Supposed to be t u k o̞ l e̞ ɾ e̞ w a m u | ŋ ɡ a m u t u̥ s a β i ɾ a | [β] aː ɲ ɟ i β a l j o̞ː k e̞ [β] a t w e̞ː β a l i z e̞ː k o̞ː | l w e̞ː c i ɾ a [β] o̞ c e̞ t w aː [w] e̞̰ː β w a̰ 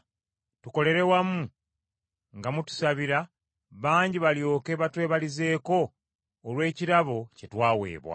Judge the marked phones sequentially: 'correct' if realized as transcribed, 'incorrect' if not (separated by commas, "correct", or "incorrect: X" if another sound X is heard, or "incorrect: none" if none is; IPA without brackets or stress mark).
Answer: correct, correct, correct, correct